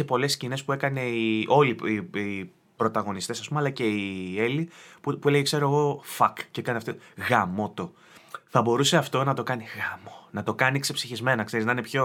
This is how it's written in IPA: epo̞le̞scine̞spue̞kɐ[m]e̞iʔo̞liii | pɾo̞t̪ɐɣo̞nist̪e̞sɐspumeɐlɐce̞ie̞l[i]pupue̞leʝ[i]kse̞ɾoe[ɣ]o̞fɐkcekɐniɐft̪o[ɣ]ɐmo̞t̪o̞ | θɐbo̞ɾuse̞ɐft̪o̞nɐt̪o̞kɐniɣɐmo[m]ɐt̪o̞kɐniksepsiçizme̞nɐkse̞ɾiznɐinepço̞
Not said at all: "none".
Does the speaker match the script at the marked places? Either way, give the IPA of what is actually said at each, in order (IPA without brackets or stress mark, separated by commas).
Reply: n, i, e, ɣ, ɣ, n